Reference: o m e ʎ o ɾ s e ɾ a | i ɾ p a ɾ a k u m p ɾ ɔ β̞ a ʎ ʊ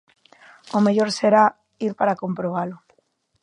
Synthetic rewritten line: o m e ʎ o ɾ s e ɾ a | i ɾ p a ɾ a k o m p ɾ o β̞ a l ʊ